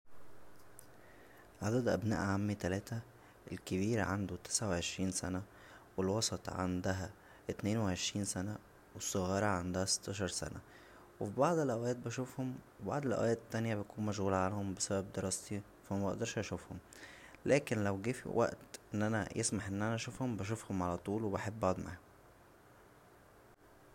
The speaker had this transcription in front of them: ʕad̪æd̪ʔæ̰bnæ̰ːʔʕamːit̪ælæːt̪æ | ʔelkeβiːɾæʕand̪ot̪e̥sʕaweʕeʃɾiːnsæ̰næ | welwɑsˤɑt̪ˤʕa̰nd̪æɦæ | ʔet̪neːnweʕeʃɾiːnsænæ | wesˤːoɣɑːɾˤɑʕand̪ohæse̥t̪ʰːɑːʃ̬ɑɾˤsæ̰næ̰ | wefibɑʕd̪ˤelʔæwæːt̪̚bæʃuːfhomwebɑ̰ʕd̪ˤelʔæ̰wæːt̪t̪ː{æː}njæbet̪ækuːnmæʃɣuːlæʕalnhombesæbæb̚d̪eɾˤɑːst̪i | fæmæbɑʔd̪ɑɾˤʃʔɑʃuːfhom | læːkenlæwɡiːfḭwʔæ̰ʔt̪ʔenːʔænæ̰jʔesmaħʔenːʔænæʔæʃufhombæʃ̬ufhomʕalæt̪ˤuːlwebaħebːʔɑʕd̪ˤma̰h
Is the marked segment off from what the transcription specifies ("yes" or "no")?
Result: yes